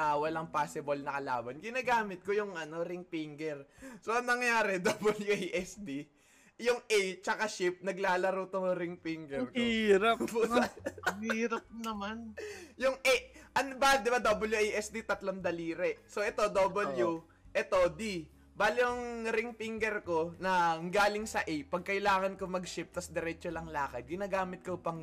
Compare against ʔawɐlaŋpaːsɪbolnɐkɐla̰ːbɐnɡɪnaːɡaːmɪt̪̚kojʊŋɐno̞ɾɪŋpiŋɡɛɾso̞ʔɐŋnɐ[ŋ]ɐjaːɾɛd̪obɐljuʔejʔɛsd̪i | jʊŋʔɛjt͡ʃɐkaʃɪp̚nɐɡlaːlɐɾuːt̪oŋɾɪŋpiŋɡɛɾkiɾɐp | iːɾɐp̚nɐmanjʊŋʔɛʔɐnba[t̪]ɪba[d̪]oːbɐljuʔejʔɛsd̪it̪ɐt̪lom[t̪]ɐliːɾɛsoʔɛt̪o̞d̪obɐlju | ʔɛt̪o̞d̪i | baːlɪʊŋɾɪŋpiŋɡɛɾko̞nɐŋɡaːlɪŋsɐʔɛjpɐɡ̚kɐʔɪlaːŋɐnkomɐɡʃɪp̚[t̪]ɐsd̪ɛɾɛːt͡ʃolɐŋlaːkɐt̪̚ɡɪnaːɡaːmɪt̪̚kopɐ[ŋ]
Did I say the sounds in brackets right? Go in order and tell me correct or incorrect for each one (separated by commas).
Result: correct, incorrect, correct, incorrect, correct, correct